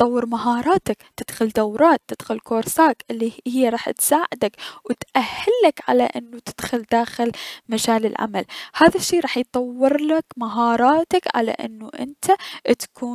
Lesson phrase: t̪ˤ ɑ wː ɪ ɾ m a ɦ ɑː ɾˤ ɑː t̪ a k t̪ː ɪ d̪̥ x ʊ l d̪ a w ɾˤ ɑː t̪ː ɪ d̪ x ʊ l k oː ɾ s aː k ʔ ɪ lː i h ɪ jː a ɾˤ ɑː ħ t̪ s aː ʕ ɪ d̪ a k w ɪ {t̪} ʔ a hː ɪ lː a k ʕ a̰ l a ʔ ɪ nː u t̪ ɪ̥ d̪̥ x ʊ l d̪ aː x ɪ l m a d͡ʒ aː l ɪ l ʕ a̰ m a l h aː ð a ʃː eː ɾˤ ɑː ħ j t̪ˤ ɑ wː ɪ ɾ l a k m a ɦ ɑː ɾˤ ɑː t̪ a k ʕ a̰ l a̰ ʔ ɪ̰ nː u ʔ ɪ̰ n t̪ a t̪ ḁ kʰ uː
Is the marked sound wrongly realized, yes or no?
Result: no